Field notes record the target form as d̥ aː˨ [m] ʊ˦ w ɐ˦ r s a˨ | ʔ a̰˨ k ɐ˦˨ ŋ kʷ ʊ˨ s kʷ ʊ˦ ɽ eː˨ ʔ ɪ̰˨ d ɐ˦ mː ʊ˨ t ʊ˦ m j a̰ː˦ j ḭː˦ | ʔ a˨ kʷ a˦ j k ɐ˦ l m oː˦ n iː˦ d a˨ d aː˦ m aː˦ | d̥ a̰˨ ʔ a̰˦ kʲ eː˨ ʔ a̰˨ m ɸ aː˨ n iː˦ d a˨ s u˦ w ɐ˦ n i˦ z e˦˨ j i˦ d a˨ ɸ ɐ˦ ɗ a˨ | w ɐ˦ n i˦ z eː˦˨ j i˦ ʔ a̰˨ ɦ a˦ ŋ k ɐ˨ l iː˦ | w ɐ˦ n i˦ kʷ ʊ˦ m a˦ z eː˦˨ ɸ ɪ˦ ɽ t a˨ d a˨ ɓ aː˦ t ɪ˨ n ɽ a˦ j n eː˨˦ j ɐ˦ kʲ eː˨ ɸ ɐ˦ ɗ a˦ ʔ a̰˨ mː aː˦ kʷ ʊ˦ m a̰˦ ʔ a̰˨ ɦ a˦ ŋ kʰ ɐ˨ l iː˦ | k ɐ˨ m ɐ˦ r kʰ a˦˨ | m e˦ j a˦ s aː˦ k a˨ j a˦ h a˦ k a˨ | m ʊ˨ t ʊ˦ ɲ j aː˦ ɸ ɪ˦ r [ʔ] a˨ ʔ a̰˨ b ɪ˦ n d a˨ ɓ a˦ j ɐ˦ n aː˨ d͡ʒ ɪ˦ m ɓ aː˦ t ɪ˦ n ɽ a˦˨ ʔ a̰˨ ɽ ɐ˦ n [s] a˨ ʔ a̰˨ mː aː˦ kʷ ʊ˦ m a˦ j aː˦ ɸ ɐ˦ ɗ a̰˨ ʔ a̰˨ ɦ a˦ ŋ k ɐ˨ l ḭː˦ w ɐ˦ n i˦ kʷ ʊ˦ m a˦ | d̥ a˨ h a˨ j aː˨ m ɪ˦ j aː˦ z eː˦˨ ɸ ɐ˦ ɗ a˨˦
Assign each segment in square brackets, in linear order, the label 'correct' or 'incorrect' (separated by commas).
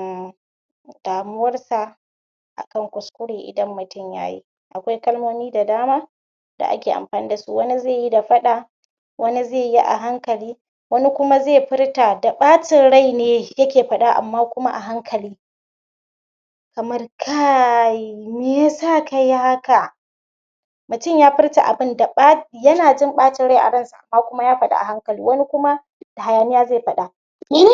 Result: correct, incorrect, correct